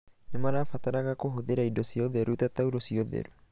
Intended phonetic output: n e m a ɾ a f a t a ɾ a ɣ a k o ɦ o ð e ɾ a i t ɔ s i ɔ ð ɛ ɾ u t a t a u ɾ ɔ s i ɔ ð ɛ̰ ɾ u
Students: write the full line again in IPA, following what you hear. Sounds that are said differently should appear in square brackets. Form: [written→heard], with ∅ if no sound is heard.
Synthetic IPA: n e m a ɾ a f a t a ɾ a ɣ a k o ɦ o ð e ɾ a i [t→d] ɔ s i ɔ ð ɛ ɾ u t a t a u ɾ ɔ s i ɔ ð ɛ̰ ɾ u